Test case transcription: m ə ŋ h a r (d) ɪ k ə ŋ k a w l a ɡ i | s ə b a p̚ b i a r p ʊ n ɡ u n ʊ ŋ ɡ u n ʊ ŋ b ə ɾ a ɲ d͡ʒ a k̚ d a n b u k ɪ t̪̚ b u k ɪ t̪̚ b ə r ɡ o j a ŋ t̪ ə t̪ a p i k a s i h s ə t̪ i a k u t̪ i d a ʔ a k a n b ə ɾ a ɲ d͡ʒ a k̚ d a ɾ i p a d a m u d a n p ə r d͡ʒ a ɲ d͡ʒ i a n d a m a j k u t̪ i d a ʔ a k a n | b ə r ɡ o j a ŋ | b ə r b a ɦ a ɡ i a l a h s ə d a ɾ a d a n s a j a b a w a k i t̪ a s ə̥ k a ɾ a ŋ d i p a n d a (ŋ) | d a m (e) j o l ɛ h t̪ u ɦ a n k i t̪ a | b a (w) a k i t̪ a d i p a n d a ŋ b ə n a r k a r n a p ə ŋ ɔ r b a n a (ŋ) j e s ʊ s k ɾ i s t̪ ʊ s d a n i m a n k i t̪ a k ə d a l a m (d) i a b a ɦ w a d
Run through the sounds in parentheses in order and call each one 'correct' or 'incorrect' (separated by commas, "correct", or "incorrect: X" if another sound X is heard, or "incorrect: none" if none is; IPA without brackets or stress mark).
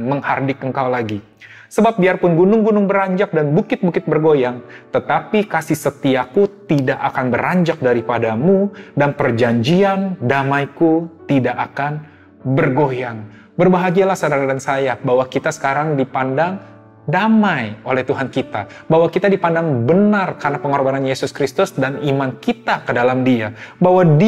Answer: correct, correct, incorrect: a, correct, incorrect: n, correct